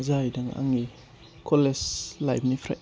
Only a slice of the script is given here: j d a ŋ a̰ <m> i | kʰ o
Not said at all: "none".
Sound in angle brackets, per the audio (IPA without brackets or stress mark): ŋ